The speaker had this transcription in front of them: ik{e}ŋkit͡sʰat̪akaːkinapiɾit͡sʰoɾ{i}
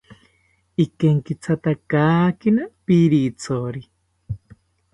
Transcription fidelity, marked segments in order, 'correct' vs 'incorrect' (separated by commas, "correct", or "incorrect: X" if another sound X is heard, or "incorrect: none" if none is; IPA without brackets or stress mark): correct, correct